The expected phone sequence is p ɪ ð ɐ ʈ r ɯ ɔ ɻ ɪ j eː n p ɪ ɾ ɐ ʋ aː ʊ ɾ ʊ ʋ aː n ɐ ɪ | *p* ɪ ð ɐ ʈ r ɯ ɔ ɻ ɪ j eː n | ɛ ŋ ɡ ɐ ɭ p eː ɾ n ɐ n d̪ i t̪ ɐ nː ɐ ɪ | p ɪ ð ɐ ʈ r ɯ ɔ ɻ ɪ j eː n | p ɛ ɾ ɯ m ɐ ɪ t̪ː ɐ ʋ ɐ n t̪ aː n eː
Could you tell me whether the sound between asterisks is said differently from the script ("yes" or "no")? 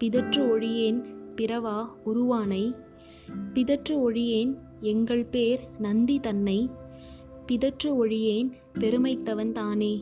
no